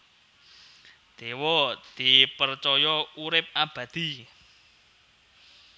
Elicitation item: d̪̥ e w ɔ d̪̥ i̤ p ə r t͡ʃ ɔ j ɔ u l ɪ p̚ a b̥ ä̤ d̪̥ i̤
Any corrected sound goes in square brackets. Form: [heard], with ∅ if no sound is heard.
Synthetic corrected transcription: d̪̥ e w ɔ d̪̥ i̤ p ə r t͡ʃ ɔ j ɔ u [ɾ] ɪ p̚ a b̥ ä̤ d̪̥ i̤